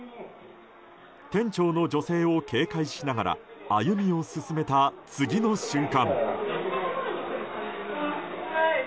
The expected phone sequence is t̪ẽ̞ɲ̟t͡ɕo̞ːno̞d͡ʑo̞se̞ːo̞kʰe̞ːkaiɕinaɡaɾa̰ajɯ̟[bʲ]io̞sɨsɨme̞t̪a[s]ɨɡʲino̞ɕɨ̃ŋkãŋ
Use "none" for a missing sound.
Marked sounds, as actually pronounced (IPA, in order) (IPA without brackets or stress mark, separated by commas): mʲ, t͡s